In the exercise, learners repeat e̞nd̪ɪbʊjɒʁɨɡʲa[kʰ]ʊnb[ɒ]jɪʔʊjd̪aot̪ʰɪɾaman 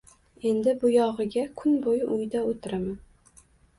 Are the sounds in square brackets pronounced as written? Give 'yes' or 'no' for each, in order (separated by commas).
yes, no